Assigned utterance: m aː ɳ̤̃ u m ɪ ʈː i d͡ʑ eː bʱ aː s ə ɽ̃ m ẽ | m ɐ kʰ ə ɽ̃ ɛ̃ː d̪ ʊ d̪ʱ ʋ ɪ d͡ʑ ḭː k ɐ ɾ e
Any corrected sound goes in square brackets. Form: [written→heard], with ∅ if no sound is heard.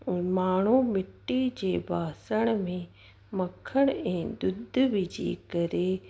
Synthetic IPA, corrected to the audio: m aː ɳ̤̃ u m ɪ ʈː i d͡ʑ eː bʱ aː s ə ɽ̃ m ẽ | m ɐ kʰ ə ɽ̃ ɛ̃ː d̪ ʊ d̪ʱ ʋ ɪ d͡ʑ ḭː k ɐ ɾ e